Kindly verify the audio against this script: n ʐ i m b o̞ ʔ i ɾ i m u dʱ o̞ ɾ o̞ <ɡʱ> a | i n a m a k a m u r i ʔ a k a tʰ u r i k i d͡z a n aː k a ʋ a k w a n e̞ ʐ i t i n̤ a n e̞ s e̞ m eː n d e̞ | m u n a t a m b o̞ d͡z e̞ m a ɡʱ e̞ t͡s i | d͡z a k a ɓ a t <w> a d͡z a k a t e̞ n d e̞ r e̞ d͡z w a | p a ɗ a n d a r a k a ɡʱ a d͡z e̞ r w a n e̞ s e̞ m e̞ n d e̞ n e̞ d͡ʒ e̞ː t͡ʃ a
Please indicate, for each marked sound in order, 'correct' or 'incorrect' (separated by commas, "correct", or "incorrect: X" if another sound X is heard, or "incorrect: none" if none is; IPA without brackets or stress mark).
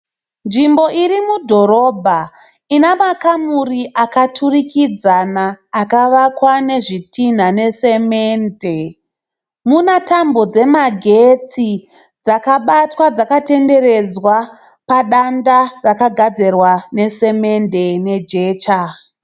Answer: incorrect: bʱ, correct